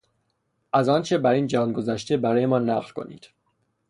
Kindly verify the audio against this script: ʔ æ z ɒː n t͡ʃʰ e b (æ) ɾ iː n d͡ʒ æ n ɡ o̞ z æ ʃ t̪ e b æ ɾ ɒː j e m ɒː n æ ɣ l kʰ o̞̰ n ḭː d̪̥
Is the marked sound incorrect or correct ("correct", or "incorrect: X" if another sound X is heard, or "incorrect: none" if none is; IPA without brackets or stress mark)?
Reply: correct